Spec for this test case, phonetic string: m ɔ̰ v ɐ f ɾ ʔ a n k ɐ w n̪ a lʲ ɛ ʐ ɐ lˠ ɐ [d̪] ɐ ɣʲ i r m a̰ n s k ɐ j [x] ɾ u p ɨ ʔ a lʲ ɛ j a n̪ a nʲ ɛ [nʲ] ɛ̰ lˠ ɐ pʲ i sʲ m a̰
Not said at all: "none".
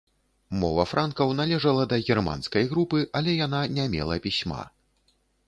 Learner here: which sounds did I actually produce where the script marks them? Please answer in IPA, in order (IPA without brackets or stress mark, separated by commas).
d̪, ɣ, mʲ